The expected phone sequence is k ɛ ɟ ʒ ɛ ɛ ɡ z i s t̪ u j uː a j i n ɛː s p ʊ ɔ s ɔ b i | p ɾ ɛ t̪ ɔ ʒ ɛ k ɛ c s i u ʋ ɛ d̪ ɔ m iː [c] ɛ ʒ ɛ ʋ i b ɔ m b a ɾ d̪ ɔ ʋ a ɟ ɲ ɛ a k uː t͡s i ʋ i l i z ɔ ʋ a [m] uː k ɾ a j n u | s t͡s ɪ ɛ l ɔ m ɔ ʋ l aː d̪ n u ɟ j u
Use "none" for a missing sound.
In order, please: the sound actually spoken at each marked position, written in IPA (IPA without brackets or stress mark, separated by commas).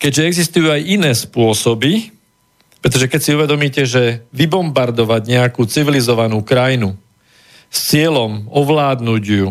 c, n